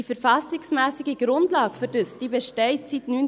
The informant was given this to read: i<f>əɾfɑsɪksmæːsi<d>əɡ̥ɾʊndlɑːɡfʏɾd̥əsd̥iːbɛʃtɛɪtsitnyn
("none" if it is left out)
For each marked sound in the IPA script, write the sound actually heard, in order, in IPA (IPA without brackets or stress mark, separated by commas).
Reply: f, ɡ